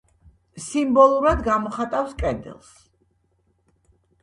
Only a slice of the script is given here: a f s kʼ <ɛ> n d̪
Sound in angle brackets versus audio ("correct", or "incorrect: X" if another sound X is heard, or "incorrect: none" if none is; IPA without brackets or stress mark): correct